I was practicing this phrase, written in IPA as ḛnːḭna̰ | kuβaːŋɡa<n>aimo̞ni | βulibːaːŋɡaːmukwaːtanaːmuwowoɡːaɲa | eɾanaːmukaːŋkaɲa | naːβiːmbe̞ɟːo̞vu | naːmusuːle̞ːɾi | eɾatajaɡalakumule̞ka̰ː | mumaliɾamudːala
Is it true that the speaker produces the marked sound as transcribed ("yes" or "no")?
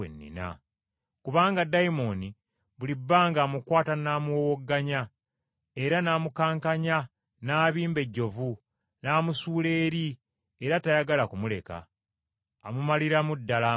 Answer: no